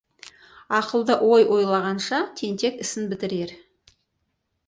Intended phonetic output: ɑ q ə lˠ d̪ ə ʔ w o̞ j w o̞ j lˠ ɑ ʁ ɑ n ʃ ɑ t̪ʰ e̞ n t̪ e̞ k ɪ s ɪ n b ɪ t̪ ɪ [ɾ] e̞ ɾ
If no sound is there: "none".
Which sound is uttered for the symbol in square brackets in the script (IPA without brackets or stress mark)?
ɾ